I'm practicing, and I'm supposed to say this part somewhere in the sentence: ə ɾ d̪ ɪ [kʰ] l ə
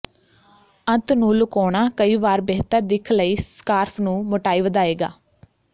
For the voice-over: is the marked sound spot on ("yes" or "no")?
yes